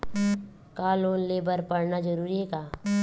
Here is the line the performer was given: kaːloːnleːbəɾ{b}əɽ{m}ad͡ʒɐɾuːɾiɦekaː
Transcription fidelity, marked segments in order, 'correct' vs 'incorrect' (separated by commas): incorrect, incorrect